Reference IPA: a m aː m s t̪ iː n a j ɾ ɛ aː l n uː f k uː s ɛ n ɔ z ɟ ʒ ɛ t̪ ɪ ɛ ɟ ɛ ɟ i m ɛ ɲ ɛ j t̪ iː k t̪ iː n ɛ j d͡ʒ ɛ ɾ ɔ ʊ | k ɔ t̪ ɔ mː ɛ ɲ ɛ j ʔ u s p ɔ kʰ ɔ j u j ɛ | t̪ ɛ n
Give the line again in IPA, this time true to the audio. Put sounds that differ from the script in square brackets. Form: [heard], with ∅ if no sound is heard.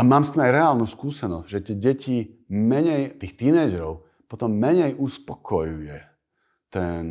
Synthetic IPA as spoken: a m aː m s t̪ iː [m] a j ɾ ɛ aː l n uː [s] k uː s ɛ n ɔ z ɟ ʒ ɛ t̪ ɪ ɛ ɟ ɛ [c] i m ɛ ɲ ɛ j t̪ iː [x] t̪ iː n ɛ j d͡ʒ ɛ ɾ ɔ ʊ | [p] ɔ t̪ ɔ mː ɛ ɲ ɛ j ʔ u s p ɔ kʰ ɔ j u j ɛ | t̪ ɛ n